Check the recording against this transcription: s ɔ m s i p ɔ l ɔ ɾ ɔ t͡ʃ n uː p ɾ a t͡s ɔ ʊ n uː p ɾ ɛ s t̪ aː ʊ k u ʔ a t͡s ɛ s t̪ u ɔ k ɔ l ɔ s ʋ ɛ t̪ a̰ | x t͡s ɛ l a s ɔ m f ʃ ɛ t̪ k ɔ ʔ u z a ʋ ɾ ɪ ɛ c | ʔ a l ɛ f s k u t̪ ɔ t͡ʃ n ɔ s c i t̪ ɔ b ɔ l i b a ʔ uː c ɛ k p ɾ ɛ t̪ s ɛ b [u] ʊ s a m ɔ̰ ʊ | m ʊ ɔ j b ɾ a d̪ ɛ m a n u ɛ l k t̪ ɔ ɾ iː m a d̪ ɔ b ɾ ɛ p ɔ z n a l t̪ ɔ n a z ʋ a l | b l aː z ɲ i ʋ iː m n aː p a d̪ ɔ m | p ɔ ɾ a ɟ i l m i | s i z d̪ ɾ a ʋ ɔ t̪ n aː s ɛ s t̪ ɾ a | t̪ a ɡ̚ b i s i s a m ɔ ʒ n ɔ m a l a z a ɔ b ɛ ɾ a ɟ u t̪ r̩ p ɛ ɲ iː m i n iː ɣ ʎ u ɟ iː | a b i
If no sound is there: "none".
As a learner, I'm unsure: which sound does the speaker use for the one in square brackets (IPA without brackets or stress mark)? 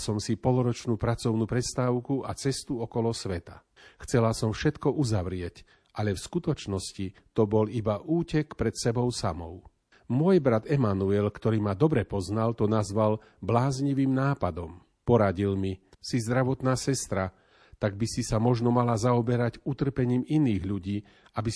ɔ